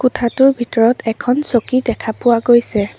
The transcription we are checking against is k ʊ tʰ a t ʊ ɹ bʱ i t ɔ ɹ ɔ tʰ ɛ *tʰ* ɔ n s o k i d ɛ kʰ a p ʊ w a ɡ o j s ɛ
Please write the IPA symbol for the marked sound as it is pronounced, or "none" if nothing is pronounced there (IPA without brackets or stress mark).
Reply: kʰ